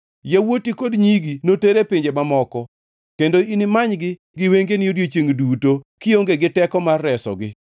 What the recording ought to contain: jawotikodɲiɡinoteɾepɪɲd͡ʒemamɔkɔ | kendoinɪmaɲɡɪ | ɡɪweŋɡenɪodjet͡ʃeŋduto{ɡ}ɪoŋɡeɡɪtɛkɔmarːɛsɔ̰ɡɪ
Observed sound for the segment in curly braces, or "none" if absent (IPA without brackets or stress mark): k